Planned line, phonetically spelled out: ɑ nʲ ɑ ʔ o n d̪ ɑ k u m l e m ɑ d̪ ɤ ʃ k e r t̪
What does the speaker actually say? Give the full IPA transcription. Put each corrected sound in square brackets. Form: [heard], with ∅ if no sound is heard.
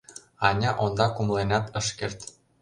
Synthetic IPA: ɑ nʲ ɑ ʔ o n d̪ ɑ k u m l e [n] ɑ [t̪] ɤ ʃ k e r t̪